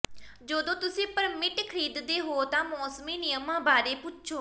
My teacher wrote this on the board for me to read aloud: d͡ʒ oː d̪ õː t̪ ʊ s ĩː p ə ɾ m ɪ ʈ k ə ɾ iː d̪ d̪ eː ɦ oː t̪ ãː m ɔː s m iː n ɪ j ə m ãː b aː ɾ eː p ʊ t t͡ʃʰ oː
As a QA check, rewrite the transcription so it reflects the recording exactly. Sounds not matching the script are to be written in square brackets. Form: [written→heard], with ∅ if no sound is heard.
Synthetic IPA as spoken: d͡ʒ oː d̪ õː t̪ ʊ s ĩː p ə ɾ m ɪ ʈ [k→kʰ] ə ɾ iː d̪ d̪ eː ɦ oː t̪ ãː m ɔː s m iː n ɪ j ə m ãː b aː ɾ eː p ʊ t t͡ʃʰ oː